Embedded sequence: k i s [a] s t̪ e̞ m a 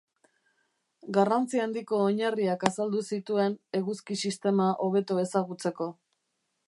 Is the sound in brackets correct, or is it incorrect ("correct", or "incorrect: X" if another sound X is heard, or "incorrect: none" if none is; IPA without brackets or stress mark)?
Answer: incorrect: i